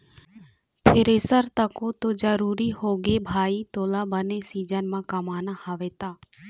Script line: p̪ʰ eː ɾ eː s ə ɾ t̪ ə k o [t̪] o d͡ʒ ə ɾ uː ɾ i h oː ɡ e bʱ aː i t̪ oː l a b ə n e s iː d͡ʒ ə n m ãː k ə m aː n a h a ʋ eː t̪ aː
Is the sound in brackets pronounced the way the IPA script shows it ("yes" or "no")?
yes